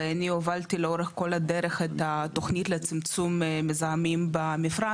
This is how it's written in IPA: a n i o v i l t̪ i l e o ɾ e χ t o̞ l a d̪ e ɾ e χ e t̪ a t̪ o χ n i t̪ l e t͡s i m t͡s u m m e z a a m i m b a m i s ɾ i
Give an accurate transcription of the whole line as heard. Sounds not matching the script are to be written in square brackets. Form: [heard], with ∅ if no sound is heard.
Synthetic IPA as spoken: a n i o v [a] l t̪ i l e o ɾ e χ [k] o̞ l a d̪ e ɾ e χ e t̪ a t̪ o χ n i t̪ l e t͡s i m t͡s u m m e z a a m i m b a m i [f] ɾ [a]